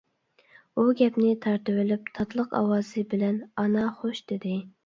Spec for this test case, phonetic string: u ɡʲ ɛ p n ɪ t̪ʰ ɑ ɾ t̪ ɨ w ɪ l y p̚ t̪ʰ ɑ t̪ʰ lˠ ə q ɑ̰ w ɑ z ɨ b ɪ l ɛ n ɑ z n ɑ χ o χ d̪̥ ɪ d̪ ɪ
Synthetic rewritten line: u ɡʲ ɛ p n ɪ t̪ʰ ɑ ɾ t̪ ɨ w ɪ l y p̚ t̪ʰ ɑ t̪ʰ lˠ ə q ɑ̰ w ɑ z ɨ b ɪ l ɛ n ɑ n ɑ χ o ʃ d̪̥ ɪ d̪ ɪ